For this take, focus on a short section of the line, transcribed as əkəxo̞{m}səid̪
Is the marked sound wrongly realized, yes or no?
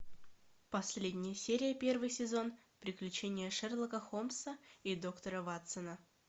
no